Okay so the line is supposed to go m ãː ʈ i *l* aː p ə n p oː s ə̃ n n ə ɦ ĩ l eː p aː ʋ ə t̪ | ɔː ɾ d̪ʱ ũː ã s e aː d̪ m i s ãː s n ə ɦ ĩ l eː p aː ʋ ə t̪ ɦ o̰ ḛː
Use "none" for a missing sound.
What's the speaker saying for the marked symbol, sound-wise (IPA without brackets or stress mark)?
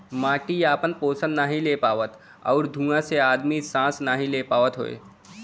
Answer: none